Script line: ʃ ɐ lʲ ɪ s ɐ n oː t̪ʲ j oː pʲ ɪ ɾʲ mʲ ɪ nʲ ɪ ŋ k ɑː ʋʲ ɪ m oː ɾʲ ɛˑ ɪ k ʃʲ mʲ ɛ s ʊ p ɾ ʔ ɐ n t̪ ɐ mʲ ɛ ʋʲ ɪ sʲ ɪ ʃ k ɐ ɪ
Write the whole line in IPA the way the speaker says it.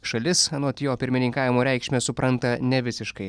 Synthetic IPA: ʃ ɐ lʲ ɪ s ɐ n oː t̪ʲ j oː pʲ ɪ ɾʲ mʲ ɪ nʲ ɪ ŋ k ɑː ʋʲ ɪ m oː ɾʲ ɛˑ ɪ k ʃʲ mʲ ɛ s ʊ p ɾ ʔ ɐ n t̪ ɐ nʲ ɛ ʋʲ ɪ sʲ ɪ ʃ k ɐ ɪ